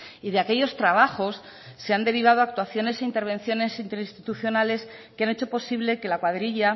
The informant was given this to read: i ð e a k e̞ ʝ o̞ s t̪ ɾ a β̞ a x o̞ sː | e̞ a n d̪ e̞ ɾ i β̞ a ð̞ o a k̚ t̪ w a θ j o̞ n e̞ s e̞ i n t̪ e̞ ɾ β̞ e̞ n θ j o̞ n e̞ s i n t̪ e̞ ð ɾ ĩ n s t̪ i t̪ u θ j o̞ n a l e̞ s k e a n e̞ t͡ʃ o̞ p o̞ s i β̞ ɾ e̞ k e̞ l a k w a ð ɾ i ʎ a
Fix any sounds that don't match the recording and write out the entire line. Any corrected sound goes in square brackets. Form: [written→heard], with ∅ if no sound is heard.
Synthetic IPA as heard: i ð e a k e̞ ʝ o̞ s t̪ ɾ a β̞ a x o̞ sː | e̞ a n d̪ e̞ ɾ i β̞ a ð̞ o a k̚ t̪ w a θ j o̞ n e̞ s e̞ i n t̪ e̞ ɾ β̞ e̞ n θ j o̞ n e̞ s i n t̪ e̞ [ð→∅] ɾ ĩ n s t̪ i t̪ u θ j o̞ n a l e̞ s k e a n e̞ t͡ʃ o̞ p o̞ s i β̞ [ɾ→l] e̞ k e̞ l a k w a ð ɾ i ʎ a